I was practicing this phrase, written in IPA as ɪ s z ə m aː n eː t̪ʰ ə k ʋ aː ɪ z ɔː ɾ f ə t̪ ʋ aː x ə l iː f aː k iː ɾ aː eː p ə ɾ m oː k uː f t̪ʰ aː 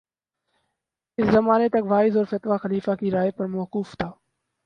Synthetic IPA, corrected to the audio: ɪ s z ə m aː n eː t̪ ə k ʋ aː ɪ z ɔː ɾ f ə t̪ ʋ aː x ə l iː f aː k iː ɾ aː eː p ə ɾ m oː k uː f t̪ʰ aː